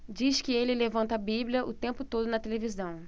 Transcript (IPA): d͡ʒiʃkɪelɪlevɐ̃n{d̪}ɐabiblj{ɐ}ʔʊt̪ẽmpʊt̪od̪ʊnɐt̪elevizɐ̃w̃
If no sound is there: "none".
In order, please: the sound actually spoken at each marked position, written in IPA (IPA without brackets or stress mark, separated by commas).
t̪, ɐ